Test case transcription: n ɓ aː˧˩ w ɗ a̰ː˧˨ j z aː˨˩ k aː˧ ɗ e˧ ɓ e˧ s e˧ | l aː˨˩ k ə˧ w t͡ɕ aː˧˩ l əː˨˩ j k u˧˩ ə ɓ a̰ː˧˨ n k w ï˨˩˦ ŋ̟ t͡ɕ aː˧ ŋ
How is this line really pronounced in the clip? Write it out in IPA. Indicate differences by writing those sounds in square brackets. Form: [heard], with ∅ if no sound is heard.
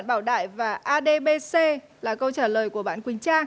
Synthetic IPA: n ɓ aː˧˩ w ɗ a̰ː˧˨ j [v] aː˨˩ [ʔ] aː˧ ɗ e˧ ɓ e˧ s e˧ | l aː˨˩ k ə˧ w t͡ɕ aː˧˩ l əː˨˩ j k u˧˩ ə ɓ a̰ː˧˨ n k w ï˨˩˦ ŋ̟ t͡ɕ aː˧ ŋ